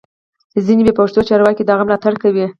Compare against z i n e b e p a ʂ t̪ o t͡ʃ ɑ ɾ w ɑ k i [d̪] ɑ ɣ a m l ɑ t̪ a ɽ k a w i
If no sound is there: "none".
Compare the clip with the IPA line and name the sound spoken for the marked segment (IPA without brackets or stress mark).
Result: d̪